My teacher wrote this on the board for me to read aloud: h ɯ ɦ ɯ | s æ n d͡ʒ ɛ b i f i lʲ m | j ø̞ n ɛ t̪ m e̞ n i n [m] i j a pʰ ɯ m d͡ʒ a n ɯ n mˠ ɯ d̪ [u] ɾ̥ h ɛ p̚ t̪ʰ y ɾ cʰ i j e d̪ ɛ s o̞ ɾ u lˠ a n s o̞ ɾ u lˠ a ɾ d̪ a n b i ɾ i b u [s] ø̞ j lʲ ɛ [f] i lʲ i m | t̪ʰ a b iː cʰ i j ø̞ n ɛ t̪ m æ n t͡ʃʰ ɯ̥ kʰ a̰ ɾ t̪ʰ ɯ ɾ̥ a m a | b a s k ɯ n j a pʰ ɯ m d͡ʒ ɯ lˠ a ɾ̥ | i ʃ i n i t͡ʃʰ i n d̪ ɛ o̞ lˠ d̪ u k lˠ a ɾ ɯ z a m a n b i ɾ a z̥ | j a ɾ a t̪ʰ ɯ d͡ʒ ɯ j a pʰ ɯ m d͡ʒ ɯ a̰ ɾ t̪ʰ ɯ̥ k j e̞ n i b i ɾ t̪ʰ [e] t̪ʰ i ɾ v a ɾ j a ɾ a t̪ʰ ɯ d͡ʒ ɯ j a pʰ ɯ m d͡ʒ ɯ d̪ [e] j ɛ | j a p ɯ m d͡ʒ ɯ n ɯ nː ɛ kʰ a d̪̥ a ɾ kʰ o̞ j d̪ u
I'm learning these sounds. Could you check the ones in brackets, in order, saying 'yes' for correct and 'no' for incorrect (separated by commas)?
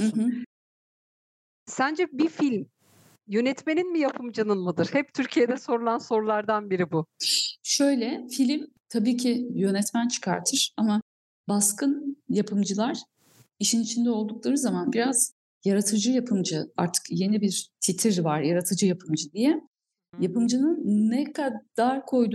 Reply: yes, no, no, yes, no, no